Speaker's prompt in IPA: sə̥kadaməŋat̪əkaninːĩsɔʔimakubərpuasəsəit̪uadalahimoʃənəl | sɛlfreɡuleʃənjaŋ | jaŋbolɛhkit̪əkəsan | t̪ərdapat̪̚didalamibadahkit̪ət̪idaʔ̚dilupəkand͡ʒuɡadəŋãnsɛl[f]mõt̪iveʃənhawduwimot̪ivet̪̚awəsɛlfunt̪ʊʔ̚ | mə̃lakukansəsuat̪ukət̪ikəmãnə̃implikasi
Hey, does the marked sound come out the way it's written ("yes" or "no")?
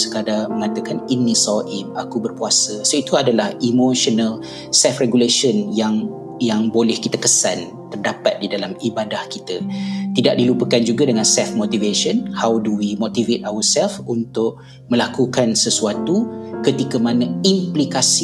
yes